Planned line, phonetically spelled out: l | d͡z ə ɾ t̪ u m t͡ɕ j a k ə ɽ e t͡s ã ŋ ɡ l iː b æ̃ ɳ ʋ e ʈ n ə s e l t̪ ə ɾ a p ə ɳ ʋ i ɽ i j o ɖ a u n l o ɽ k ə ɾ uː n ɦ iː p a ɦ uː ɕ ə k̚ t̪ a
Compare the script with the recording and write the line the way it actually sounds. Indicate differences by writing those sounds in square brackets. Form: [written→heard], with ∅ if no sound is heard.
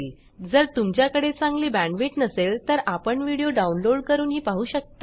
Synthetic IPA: l | d͡z ə ɾ t̪ u m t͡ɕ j a k ə ɽ e t͡s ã ŋ ɡ l iː b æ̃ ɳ ʋ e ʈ n ə s e l t̪ ə ɾ a p ə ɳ ʋ i ɽ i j o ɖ a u n l o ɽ k ə ɾ uː n ɦ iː p a ɦ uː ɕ ə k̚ t̪ a